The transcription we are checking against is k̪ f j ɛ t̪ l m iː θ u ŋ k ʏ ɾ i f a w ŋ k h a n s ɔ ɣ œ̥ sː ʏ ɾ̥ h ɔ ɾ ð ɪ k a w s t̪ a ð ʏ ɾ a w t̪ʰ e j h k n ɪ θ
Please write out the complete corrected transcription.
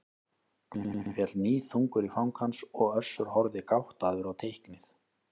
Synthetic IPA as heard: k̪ f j ɛ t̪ l n iː θ u ŋ k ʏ ɾ i f a w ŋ k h a n s ɔ ɣ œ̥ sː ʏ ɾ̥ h ɔ ɾ ð ɪ k a w h t̪ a ð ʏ ɾ a w t̪ʰ e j h k n ɪ θ